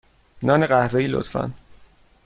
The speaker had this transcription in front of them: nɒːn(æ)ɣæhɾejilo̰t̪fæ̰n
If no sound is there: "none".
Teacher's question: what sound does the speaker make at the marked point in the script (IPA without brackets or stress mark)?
e